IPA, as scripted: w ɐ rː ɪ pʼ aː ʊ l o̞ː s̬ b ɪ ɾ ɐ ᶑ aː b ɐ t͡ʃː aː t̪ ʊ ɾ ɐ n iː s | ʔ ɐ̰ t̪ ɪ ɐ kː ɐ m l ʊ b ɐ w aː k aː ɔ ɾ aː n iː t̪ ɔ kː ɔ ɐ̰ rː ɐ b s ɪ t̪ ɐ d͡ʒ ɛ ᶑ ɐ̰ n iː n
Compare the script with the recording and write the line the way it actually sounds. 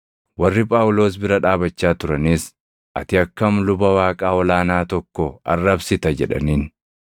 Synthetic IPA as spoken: w ɐ rː ɪ pʼ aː ʊ l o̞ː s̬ b ɪ ɾ ɐ ᶑ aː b ɐ t͡ʃː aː t̪ ʊ ɾ ɐ n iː s | ʔ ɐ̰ t̪ ɪ ɐ kː ɐ m l ʊ b ɐ w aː kʼ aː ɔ l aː n aː t̪ ɔ kː ɔ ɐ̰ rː ɐ b s ɪ t̪ ɐ d͡ʒ ɛ ᶑ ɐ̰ n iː n